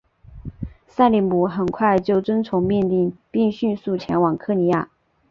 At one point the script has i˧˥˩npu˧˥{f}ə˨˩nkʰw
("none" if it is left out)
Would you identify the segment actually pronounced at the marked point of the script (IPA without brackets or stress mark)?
x